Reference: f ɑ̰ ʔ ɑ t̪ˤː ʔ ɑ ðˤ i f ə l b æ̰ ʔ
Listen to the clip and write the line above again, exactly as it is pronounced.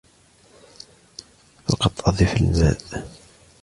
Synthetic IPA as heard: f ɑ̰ q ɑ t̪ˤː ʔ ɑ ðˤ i f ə l m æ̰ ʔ